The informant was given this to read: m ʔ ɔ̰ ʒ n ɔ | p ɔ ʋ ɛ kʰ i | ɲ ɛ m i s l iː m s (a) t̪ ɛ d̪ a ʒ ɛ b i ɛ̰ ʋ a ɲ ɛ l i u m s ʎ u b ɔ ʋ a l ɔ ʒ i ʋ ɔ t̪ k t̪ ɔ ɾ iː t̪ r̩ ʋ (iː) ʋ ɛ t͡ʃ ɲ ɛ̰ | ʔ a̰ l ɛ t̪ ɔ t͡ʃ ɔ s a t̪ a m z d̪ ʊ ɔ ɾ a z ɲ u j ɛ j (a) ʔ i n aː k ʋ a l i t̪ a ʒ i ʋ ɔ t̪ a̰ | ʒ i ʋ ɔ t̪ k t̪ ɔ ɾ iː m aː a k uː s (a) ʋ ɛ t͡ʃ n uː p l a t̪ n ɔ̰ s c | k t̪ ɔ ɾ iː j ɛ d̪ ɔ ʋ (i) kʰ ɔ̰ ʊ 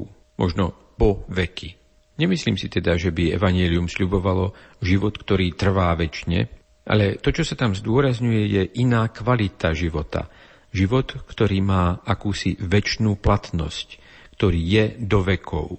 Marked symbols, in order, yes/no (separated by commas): no, no, no, no, no